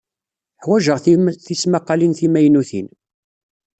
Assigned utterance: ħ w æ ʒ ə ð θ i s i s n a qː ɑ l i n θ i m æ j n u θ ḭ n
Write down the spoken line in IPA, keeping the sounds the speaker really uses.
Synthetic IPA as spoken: ħ w æ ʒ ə ʁ θ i θ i s m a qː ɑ l i n θ i m æ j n u θ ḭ n